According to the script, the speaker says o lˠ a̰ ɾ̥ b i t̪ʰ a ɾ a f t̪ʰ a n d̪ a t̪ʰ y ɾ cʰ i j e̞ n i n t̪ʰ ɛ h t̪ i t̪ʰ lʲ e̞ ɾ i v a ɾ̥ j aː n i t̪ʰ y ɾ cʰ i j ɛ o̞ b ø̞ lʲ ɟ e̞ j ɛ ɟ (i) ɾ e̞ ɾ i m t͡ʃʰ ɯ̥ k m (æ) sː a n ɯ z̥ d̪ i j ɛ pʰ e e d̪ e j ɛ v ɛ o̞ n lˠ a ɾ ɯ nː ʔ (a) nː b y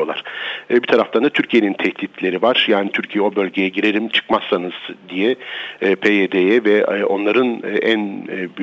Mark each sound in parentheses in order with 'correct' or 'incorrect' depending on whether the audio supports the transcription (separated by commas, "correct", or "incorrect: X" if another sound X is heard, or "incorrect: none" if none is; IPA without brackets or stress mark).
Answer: correct, incorrect: a, incorrect: æ